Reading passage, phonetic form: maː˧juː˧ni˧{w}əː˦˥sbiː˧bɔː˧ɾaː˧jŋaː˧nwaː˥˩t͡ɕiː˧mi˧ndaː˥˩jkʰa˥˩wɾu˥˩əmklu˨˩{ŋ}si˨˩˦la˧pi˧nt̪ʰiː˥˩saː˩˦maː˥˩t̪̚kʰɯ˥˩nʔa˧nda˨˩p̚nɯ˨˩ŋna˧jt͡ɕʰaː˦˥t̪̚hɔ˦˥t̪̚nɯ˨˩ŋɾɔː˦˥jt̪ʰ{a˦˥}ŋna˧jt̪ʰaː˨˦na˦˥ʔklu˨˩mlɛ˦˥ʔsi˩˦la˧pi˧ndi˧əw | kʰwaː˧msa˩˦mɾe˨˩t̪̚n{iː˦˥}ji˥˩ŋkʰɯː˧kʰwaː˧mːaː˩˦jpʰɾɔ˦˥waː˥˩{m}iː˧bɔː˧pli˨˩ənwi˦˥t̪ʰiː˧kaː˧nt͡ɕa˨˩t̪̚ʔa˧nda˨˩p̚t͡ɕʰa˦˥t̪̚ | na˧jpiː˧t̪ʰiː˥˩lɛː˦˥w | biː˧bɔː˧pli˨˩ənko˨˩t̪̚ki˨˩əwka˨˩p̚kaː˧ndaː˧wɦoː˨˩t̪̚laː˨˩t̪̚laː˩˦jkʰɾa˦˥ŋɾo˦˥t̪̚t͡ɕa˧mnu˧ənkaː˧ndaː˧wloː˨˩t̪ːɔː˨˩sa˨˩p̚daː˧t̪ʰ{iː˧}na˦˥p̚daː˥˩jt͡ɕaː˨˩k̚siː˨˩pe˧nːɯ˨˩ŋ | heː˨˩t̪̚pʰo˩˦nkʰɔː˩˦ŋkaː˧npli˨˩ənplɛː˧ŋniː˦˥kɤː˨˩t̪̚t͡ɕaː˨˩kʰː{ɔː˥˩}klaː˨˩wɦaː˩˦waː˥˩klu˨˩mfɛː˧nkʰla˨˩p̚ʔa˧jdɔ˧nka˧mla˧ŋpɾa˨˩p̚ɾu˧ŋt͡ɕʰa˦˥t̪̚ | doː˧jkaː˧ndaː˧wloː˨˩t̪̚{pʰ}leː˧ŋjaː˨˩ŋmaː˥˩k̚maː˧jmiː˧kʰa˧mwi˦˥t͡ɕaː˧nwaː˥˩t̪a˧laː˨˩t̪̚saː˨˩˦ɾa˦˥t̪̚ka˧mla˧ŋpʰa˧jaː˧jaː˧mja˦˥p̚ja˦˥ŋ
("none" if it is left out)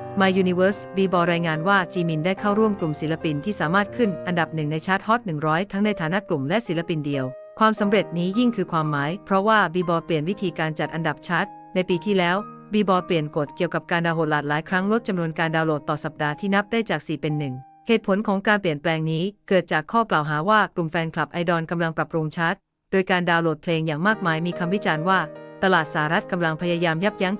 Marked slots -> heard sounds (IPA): w, m, a˦˥, iː˦˥, b, iː˥˩, ɔː˥˩, pʰ

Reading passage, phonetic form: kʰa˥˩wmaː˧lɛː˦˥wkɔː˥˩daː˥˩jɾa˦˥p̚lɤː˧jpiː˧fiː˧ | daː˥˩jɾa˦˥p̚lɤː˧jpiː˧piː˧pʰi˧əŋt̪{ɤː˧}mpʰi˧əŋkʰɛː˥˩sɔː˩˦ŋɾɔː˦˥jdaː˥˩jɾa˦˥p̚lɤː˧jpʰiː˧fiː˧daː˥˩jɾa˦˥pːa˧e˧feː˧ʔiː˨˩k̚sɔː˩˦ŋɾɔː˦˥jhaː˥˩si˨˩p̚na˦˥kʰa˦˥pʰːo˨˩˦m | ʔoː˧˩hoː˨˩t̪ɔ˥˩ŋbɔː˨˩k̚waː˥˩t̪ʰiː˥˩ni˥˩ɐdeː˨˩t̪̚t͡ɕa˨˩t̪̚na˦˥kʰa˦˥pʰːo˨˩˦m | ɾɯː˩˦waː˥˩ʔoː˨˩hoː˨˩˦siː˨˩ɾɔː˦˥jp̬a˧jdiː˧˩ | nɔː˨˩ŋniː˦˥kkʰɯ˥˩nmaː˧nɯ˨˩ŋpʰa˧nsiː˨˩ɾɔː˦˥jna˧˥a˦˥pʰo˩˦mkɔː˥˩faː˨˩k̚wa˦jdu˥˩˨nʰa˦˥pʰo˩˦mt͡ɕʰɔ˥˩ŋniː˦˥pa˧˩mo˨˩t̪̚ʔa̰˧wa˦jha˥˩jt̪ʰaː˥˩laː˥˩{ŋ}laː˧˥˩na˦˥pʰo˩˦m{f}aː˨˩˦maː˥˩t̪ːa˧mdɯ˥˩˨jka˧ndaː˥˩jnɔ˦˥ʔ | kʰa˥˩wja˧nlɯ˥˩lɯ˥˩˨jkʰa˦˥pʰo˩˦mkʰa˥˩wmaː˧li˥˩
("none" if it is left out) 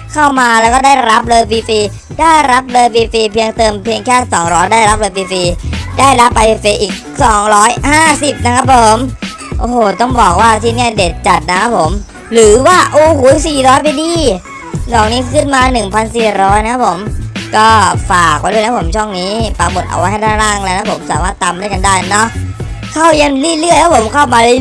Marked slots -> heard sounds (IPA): ɤː˧, ŋ, s

